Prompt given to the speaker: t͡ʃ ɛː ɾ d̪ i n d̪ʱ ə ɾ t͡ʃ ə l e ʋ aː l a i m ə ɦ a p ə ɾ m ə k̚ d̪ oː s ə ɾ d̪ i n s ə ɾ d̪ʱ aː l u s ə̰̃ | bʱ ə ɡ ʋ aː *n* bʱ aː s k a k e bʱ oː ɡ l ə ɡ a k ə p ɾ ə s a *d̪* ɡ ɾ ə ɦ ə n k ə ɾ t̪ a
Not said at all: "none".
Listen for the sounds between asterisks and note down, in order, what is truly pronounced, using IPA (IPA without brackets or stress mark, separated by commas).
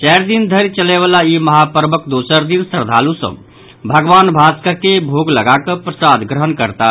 n, d̪